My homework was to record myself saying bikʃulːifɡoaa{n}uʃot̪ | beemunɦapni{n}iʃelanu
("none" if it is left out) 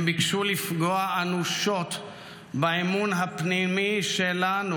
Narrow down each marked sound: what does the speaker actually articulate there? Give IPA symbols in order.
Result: n, m

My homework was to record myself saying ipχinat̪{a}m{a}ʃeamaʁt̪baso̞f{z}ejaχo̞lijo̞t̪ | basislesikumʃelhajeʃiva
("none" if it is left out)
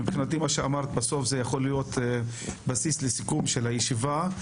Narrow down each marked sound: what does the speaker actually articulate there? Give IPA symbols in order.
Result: i, a, z

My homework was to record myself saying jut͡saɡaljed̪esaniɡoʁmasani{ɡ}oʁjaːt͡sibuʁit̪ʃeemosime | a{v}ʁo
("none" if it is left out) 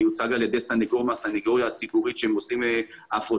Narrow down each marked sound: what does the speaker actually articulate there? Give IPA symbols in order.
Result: ɡ, f

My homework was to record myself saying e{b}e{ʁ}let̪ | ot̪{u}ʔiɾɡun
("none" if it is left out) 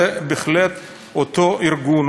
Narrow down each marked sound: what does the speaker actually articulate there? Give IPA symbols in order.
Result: b, χ, o

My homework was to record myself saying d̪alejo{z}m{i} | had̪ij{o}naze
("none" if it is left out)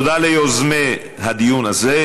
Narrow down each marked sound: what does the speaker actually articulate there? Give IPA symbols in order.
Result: z, e, u

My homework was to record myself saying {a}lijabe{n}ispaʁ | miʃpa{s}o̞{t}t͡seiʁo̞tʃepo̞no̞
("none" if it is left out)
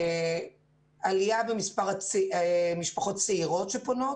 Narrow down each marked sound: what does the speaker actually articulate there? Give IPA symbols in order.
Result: a, m, χ, t

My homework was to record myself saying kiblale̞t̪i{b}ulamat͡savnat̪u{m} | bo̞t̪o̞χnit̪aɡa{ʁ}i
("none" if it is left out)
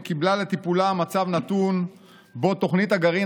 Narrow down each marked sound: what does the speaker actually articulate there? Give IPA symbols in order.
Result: p, n, ʁ

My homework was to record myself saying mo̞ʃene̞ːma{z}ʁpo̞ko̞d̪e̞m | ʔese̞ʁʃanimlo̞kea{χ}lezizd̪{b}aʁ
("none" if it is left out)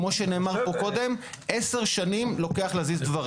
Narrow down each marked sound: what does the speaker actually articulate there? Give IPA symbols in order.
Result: none, χ, v

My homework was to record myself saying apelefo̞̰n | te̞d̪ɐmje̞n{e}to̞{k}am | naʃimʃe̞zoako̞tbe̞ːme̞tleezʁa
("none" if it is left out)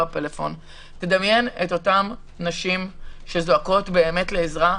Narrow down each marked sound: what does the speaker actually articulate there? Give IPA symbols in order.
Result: e, t

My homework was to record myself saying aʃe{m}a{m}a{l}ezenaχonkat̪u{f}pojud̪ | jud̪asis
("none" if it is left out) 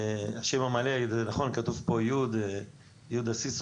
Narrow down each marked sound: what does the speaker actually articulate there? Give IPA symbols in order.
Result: m, m, l, v

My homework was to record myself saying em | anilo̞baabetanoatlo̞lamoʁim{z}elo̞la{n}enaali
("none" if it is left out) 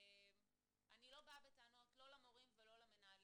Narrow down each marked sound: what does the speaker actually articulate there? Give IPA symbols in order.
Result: v, m

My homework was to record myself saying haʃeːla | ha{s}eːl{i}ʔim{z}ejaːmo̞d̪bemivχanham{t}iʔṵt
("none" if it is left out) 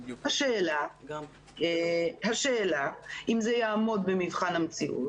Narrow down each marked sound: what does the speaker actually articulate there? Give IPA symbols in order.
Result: ʃ, a, z, t͡s

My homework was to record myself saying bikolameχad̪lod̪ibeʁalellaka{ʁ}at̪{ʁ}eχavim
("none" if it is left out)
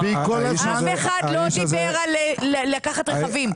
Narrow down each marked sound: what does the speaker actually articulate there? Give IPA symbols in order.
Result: χ, ʁ

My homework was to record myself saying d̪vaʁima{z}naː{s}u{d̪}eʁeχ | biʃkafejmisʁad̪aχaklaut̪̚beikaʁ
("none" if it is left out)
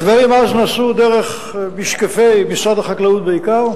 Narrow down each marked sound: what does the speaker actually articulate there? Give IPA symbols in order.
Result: z, s, d̪

